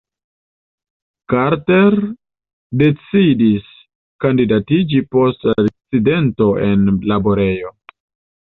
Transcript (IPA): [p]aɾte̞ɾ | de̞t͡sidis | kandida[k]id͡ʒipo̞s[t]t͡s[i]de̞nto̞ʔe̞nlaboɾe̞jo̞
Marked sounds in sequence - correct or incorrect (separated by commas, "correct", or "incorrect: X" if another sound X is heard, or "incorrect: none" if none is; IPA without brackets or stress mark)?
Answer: incorrect: k, incorrect: t, correct, correct